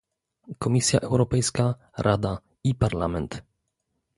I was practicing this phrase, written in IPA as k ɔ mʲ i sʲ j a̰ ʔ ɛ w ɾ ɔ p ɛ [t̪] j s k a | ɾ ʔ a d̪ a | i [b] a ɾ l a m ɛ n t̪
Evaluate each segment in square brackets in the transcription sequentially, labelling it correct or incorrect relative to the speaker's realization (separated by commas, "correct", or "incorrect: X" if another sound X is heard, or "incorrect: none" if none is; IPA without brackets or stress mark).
incorrect: none, incorrect: p